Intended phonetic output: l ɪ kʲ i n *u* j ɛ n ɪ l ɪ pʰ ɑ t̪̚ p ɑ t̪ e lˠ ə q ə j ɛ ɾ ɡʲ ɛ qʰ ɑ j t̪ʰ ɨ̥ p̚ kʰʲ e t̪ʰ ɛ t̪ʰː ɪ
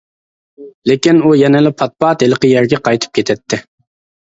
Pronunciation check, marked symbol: correct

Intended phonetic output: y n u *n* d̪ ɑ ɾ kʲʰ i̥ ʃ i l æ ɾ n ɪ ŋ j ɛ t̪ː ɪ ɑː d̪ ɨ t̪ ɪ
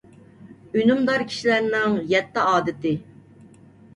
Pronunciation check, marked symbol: incorrect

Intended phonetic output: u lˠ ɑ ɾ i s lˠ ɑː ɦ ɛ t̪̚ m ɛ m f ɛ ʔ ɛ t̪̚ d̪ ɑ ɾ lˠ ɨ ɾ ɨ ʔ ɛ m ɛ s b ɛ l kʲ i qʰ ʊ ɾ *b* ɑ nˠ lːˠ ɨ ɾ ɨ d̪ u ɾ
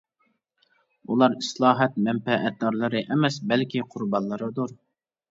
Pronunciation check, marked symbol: correct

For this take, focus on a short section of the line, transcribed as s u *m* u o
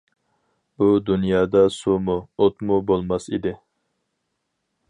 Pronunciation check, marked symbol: correct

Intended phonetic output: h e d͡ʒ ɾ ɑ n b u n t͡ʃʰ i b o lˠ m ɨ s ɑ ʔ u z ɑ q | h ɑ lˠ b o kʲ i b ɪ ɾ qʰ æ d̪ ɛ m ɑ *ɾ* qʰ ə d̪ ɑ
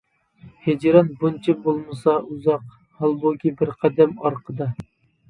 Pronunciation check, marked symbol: correct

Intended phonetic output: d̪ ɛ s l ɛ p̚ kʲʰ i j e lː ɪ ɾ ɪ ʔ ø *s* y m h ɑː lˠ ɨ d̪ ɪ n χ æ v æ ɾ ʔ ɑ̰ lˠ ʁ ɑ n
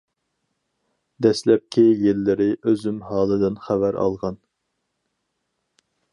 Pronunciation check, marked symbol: incorrect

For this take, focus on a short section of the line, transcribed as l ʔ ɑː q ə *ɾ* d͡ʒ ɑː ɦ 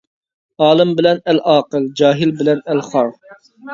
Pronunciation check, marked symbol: incorrect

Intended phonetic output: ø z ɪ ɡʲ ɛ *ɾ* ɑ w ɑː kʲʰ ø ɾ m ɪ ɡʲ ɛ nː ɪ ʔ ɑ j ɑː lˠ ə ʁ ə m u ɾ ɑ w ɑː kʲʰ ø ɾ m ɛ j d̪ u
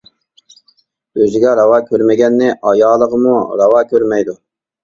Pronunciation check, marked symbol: correct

